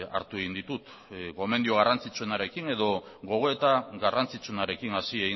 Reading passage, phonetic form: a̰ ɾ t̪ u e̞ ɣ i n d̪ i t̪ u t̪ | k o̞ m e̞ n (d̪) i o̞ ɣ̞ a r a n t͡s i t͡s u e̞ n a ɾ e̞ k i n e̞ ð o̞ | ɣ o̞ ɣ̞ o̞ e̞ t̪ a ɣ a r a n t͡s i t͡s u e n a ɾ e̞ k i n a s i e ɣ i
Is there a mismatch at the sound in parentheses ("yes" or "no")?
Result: no